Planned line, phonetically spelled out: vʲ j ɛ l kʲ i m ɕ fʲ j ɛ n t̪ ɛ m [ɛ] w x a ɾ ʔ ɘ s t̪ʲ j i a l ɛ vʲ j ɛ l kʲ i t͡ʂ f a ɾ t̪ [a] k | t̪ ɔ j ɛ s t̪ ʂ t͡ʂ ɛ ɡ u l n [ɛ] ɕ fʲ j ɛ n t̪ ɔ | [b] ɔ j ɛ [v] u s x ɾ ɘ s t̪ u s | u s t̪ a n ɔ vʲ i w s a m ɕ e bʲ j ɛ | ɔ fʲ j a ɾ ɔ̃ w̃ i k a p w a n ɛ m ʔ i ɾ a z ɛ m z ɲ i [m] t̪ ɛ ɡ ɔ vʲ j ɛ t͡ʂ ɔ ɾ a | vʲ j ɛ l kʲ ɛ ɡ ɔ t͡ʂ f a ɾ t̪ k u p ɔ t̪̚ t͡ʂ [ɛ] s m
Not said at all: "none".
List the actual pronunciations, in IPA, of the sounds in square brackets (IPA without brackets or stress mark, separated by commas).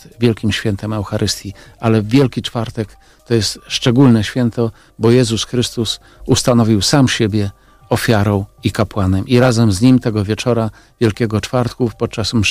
ɛ, ɛ, ɛ, b, z, m, a